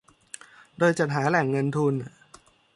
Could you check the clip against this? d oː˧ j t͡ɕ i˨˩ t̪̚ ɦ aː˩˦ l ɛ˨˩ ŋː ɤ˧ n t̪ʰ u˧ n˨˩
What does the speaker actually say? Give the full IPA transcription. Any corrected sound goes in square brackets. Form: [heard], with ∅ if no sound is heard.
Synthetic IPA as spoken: d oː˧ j t͡ɕ [a˨˩] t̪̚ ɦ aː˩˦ l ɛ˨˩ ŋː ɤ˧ n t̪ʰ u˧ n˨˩